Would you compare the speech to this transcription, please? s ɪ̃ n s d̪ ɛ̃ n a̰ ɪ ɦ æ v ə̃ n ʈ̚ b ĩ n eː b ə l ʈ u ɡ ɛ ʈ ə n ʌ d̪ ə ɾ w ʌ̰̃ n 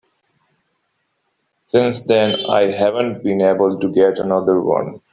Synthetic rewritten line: s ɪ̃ n s d̪ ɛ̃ n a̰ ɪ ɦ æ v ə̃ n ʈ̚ b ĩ n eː b ə l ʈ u ɡ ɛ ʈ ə n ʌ d̪ ə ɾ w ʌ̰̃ n